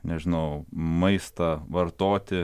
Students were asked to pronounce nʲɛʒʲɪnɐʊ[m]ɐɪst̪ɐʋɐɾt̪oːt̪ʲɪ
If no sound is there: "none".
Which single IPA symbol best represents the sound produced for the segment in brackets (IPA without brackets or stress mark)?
m